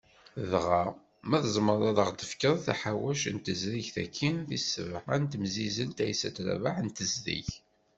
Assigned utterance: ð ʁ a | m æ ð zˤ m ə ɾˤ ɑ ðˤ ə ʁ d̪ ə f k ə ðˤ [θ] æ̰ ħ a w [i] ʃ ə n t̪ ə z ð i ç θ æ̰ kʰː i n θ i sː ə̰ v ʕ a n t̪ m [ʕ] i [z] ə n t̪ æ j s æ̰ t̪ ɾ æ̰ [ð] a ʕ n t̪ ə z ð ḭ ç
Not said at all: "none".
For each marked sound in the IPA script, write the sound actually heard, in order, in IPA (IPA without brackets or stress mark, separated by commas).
θ, æ, z, z, v